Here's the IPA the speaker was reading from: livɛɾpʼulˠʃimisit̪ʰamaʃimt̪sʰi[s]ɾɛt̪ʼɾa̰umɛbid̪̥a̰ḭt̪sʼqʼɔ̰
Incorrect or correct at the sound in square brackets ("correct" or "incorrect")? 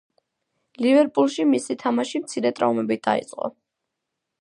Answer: incorrect